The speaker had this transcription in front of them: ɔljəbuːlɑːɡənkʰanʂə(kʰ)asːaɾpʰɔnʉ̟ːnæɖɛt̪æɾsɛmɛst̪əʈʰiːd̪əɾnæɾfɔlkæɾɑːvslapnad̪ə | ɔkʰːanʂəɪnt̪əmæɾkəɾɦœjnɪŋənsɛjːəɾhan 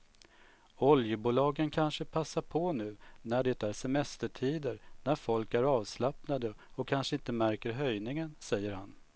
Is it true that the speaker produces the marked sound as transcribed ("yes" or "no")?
no